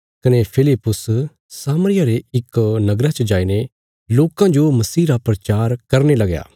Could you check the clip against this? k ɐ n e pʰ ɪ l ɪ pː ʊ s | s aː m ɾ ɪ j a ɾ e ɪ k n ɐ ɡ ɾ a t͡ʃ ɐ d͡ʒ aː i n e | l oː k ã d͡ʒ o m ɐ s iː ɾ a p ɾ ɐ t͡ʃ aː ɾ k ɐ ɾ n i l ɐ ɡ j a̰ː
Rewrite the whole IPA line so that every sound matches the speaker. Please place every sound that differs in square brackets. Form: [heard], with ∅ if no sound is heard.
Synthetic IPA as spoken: k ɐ n e pʰ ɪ l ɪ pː ʊ s | s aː m ɾ ɪ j a ɾ e ɪ k n ɐ ɡ ɾ a t͡ʃ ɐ d͡ʒ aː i n e | l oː k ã d͡ʒ o m ɐ s iː ɾ a p ɾ ɐ t͡ʃ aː ɾ k ɐ ɾ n [e] l ɐ ɡ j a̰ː